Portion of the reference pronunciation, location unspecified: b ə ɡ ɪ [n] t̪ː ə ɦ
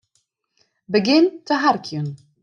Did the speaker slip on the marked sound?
no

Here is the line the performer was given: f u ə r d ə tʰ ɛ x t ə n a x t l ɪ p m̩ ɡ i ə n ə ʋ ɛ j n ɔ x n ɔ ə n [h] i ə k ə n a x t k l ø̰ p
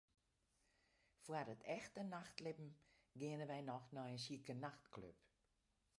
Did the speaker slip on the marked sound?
yes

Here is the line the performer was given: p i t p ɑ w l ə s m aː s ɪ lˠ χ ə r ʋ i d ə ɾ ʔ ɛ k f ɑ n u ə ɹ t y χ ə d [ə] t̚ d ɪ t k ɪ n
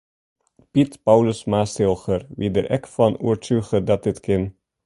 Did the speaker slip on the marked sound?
yes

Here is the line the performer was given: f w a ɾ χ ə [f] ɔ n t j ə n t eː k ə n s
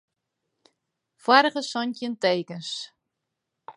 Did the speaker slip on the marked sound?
yes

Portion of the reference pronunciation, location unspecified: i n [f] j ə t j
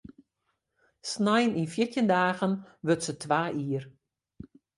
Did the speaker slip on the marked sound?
no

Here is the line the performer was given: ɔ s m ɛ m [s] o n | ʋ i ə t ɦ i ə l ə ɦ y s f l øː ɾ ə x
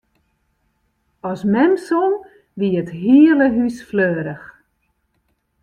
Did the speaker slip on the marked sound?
no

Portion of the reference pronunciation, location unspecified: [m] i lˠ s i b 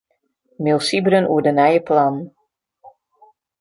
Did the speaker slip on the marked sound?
no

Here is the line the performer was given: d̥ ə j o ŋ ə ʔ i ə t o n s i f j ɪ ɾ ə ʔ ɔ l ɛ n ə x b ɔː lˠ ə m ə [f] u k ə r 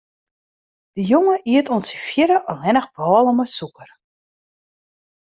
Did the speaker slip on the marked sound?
yes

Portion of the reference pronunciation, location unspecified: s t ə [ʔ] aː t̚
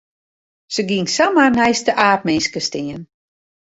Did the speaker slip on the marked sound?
no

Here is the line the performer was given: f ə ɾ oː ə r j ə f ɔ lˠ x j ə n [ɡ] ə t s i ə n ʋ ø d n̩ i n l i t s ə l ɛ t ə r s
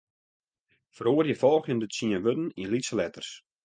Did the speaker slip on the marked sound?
yes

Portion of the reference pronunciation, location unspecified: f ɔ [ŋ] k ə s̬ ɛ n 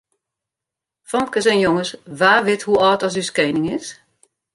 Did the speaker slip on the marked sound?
yes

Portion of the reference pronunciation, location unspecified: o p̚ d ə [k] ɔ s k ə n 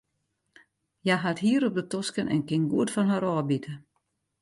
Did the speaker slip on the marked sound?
yes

